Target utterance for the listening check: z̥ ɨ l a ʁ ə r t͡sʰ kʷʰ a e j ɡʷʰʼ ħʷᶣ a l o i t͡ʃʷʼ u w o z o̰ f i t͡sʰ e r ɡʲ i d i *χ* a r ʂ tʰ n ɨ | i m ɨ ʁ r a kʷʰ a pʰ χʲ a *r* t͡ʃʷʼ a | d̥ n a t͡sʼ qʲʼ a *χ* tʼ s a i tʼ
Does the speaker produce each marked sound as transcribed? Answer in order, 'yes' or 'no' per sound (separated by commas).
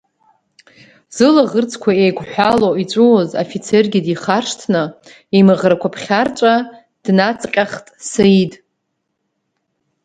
yes, yes, yes